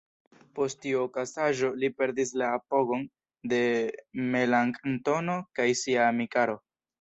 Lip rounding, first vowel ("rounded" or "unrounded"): rounded